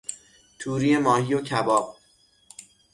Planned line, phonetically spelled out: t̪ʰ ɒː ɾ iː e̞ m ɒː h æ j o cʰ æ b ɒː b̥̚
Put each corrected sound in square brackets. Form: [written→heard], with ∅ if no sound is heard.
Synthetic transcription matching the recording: t̪ʰ [ɒː→uː] ɾ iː e̞ m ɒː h [æ→i] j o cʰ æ b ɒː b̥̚